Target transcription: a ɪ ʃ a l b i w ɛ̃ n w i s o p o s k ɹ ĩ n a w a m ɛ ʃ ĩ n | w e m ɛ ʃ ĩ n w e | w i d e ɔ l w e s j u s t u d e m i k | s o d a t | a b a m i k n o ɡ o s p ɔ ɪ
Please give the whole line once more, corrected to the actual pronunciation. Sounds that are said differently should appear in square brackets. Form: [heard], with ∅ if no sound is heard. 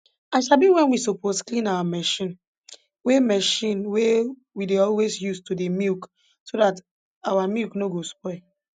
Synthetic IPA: a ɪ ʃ a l b i w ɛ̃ n w i s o p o s k [l] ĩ n a w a m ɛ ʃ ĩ n | w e m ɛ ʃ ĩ n w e | w i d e ɔ l w e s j u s t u d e m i k | s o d a t | a [w] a m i k n o ɡ o s p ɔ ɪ